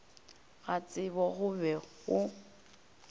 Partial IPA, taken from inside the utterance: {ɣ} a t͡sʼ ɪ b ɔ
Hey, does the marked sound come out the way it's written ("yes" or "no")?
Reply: yes